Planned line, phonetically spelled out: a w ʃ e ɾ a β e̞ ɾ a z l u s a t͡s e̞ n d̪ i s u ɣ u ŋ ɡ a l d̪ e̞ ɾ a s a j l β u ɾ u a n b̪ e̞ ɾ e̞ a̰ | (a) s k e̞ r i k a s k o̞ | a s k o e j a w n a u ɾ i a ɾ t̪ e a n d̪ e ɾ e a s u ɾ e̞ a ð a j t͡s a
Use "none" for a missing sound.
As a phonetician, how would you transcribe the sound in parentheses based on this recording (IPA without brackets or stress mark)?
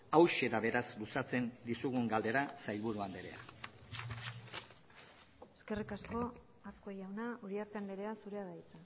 e